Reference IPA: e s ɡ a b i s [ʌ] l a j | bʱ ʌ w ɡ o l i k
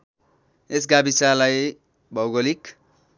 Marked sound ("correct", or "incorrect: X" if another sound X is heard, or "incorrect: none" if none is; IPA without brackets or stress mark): incorrect: a